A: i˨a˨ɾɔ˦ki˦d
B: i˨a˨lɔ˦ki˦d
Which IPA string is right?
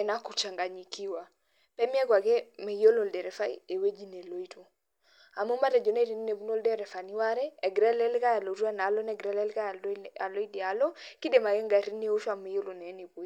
B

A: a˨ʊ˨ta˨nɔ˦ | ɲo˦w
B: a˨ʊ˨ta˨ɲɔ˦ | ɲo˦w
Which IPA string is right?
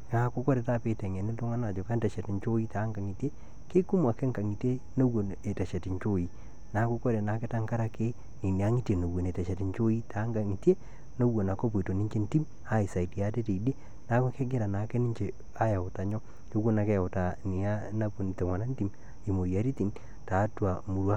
B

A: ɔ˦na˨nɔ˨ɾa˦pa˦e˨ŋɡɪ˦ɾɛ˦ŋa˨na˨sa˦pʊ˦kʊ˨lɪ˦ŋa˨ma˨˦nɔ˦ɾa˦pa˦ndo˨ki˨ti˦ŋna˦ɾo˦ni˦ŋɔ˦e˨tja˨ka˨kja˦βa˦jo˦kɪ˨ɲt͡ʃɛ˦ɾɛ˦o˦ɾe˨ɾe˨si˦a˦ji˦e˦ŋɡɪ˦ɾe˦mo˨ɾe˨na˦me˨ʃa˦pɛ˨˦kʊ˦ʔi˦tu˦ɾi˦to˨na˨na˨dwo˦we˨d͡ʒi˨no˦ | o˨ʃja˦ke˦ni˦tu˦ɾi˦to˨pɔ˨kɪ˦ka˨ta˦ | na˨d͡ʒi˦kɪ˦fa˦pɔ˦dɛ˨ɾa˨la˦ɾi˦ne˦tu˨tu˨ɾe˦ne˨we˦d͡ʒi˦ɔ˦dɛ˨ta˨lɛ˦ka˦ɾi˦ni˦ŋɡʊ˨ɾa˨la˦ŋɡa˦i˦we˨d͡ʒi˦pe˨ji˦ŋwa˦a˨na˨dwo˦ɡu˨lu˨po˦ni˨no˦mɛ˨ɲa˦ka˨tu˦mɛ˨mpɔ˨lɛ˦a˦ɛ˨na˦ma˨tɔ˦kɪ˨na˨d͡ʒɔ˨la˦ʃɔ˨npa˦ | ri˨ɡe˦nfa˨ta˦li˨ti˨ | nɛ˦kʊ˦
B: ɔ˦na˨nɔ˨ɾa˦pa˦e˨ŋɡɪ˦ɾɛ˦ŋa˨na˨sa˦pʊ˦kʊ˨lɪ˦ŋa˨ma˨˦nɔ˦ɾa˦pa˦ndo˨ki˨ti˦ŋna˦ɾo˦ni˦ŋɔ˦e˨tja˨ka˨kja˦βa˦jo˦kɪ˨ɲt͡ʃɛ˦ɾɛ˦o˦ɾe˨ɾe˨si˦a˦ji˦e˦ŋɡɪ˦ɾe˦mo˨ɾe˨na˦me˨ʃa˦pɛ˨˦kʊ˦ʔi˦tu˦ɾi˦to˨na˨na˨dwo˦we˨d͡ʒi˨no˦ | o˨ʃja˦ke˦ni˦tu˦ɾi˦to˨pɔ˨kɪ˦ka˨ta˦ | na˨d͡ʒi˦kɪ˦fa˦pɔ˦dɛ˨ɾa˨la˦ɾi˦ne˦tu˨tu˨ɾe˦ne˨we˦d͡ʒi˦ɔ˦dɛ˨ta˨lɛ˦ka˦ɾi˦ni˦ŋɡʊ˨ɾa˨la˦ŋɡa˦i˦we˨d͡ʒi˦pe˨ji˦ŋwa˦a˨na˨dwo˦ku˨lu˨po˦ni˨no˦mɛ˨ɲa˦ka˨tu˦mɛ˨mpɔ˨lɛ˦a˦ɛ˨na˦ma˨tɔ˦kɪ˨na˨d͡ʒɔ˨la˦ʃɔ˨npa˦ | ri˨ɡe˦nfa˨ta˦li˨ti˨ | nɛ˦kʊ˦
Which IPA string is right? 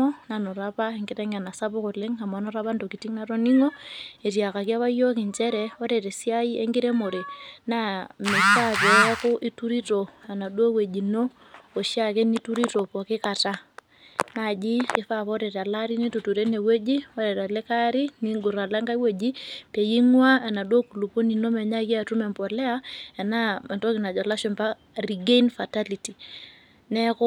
B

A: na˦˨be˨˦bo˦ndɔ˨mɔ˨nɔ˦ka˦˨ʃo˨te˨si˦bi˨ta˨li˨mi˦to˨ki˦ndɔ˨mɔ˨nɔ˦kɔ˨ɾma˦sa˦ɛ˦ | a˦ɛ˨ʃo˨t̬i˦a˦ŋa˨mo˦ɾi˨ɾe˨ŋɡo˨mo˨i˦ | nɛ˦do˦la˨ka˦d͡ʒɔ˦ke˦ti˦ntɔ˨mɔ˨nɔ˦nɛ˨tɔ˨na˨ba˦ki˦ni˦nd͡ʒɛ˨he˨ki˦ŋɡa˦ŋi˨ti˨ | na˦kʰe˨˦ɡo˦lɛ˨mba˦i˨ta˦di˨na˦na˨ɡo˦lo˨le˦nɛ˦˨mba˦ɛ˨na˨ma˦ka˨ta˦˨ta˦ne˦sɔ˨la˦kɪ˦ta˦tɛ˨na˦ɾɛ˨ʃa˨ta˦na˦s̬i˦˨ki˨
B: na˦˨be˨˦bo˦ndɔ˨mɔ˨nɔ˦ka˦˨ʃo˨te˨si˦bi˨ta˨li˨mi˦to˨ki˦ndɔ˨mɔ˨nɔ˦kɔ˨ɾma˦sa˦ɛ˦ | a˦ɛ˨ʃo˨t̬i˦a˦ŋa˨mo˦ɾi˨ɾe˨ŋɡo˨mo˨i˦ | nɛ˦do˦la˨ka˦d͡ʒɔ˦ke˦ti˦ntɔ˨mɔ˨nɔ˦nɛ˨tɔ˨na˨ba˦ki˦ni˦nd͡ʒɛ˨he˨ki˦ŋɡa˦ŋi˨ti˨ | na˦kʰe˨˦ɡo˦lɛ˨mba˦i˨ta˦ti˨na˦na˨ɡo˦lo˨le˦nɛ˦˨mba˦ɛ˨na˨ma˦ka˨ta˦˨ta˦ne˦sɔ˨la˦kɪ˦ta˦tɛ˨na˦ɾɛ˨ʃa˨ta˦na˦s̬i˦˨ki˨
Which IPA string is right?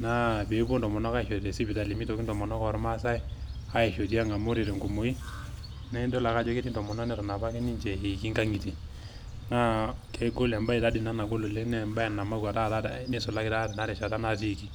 A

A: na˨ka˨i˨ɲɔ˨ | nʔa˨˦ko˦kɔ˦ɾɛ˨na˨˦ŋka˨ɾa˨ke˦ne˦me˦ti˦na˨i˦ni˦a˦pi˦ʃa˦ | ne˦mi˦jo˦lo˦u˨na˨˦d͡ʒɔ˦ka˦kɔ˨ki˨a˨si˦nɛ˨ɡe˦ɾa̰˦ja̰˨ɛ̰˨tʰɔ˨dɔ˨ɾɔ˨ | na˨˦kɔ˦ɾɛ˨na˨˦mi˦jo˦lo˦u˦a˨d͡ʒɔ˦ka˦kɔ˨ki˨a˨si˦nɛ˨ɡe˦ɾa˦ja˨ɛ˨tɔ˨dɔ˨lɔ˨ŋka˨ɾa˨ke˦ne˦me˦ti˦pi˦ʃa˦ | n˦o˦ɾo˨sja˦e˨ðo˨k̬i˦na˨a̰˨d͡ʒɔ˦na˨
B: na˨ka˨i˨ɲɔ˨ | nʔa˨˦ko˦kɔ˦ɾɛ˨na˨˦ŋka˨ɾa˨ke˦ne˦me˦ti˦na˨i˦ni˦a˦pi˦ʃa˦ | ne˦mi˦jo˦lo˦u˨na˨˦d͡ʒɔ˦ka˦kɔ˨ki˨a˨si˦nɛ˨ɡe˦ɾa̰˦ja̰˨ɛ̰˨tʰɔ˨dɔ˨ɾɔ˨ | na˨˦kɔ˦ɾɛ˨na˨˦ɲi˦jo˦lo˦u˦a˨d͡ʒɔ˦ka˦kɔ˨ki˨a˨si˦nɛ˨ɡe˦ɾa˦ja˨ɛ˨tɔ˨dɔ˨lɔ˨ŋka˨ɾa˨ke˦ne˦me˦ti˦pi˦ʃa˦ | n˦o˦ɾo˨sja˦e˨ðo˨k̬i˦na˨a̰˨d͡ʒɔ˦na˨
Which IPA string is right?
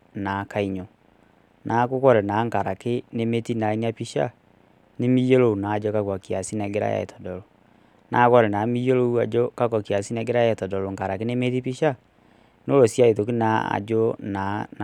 A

